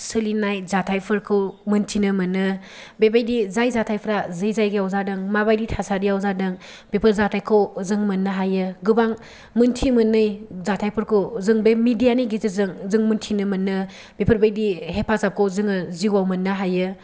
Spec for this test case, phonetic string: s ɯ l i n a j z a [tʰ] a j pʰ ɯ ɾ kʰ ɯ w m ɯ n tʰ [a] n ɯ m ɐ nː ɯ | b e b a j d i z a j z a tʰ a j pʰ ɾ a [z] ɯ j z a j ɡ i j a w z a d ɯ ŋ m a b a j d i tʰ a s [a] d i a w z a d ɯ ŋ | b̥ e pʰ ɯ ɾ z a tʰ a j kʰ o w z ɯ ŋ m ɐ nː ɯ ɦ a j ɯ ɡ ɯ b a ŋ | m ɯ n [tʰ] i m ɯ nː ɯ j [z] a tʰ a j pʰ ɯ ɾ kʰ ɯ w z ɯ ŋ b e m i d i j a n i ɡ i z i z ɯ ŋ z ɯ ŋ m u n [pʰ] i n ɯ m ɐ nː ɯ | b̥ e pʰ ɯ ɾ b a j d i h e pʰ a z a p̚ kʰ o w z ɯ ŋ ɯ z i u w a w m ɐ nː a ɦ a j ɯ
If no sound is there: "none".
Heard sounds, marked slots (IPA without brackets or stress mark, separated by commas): tʰ, i, z, a, tʰ, z, tʰ